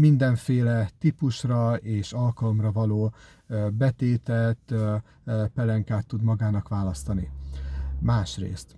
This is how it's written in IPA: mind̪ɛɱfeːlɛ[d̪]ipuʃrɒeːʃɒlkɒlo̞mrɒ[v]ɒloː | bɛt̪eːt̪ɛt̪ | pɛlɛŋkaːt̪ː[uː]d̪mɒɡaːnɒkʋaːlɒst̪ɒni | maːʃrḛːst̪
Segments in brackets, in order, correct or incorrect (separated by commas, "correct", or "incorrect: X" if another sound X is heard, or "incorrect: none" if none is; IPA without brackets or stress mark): incorrect: t̪, correct, incorrect: u